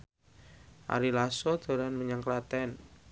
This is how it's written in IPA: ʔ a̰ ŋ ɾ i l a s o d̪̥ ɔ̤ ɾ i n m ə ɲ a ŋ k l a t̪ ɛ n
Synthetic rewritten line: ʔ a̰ ɾ i l a s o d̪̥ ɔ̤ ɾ a n m ə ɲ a ŋ k l a t̪ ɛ n